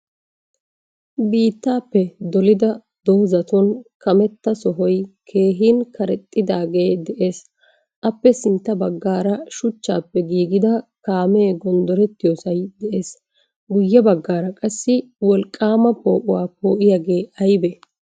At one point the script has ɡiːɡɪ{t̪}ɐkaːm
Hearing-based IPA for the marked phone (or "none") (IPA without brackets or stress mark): d̪